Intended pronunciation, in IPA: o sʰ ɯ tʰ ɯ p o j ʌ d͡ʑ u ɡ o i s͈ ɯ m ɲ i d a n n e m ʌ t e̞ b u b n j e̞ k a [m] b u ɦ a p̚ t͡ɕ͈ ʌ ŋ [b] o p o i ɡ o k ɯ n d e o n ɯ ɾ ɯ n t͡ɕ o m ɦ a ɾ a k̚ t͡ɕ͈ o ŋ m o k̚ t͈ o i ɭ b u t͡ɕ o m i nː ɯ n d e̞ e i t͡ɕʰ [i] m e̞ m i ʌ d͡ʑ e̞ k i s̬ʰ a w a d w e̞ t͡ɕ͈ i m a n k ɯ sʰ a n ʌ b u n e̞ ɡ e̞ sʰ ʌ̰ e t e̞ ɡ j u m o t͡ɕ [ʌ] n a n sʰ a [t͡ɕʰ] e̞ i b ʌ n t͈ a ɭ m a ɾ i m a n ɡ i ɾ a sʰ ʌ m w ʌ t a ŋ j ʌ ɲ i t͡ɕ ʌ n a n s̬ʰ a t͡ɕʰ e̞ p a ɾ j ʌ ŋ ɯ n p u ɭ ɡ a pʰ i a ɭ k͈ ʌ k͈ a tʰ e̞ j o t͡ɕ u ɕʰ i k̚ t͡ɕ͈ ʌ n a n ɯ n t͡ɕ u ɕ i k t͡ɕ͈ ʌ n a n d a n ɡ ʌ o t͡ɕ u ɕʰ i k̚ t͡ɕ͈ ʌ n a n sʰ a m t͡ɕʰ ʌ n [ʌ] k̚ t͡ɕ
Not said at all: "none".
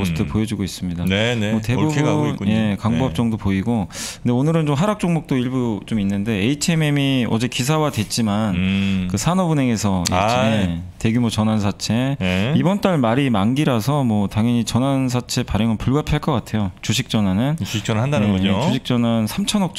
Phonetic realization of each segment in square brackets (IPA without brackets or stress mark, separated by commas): ŋ, d, e, ʌ, t͡ɕʰ, ʌ